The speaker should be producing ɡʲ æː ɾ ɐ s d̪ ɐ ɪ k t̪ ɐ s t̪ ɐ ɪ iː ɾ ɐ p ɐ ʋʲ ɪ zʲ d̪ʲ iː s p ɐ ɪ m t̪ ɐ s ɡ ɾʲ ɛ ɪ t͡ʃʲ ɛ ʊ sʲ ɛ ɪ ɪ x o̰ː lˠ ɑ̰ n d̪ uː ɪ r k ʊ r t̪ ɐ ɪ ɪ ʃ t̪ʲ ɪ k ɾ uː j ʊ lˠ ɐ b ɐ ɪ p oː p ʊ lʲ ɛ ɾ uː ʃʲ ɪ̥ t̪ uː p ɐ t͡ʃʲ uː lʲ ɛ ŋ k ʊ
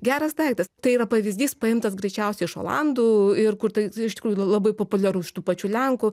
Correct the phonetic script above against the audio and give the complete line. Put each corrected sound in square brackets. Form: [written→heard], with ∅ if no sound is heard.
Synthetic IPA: ɡʲ æː ɾ ɐ s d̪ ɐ ɪ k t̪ ɐ s t̪ ɐ ɪ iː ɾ ɐ p ɐ ʋʲ ɪ zʲ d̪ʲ iː s p ɐ ɪ m t̪ ɐ s ɡ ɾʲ ɛ ɪ t͡ʃʲ ɛ ʊ sʲ ɛ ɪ ɪ [x→ʃ] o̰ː lˠ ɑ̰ n d̪ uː ɪ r k ʊ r t̪ ɐ ɪ ɪ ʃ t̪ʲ ɪ k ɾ uː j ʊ lˠ ɐ b ɐ ɪ p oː p ʊ lʲ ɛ ɾ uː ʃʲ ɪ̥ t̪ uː p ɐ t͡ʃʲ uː lʲ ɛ ŋ k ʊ